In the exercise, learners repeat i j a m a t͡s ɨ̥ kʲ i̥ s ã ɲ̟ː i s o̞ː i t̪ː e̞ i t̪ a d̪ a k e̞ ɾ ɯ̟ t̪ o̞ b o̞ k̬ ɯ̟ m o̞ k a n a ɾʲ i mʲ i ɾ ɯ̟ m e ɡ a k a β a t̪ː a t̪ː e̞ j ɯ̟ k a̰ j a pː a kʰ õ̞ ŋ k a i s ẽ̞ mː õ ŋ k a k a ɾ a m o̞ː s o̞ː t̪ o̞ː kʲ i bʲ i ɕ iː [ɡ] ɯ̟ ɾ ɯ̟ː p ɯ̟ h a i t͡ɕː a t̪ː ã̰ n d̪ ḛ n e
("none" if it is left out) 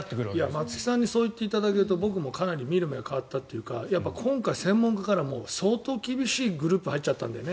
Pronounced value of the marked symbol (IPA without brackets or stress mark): ɡ